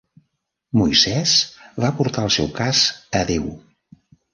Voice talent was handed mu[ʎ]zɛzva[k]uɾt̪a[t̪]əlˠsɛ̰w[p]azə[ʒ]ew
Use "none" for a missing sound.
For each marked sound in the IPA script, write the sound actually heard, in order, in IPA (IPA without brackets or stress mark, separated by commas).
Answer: j, p, none, k, ð